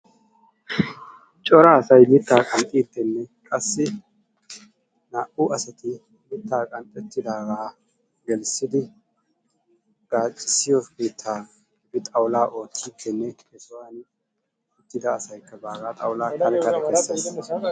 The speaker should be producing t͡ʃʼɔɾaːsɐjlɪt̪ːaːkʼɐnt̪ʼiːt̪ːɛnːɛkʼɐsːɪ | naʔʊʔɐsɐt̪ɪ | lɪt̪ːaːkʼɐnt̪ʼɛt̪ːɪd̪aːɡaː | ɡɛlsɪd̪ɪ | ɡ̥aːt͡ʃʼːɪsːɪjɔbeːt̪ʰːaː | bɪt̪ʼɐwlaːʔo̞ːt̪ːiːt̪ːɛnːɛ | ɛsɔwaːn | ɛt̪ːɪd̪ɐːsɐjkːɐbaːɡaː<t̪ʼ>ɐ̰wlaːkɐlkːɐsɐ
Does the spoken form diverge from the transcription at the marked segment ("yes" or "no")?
no